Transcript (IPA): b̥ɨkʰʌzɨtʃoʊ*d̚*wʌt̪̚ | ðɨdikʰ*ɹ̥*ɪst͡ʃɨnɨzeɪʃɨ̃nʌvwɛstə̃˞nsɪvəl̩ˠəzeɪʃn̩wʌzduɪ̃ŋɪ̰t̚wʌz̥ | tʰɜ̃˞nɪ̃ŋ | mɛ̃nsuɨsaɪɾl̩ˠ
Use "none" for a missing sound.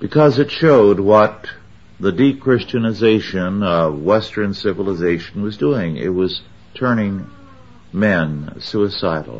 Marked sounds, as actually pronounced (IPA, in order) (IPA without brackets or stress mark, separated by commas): d̚, ɹ̥